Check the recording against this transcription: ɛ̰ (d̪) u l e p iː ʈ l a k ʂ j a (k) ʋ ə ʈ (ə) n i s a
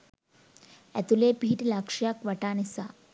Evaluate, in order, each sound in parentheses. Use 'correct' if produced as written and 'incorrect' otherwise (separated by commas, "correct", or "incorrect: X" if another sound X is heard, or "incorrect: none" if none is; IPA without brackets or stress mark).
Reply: incorrect: t̪, correct, incorrect: a